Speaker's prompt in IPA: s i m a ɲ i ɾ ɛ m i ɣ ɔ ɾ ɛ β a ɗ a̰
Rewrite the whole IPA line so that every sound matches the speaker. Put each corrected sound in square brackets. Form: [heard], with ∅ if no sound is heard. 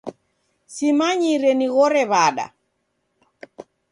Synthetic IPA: s i m a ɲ i ɾ ɛ [n] i ɣ ɔ ɾ ɛ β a ɗ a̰